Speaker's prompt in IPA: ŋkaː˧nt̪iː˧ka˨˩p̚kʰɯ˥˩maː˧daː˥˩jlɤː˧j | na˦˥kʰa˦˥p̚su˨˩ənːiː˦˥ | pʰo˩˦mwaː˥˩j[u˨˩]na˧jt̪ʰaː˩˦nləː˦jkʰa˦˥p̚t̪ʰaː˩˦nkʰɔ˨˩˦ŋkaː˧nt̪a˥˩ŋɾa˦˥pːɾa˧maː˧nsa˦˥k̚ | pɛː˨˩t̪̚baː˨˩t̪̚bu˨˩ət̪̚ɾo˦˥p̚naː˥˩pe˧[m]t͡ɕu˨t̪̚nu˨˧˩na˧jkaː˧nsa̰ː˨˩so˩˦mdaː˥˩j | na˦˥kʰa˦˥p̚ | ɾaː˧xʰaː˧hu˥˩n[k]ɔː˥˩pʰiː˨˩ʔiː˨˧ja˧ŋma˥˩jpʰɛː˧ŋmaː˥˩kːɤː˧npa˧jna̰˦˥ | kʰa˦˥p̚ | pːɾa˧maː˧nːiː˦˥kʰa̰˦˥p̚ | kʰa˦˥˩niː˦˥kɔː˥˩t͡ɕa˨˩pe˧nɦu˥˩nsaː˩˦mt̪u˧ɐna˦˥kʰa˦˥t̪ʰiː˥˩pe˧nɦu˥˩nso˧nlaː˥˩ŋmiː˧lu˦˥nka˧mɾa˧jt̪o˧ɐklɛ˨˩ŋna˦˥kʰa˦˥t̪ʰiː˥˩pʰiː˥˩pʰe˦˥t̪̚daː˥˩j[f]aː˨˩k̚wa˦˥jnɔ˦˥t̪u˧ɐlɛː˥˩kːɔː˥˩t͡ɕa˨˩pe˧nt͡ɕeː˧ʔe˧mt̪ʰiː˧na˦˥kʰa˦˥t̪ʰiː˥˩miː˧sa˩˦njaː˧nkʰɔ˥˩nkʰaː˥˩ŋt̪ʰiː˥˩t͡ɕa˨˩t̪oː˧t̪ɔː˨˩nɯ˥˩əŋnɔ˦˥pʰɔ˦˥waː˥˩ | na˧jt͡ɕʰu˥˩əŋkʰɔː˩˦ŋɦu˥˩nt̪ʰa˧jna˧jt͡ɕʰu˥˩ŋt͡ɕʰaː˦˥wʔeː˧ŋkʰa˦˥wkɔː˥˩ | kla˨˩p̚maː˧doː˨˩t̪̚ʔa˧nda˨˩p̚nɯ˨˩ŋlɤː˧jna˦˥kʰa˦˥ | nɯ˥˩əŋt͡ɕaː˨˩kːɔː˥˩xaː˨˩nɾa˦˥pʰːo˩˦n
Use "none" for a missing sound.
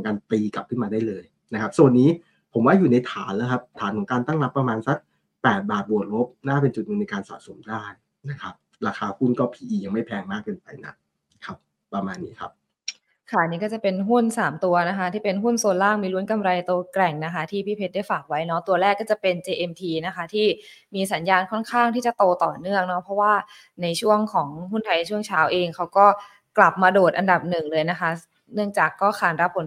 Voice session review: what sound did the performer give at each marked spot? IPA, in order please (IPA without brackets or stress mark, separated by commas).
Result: uː˨˩, n, k, f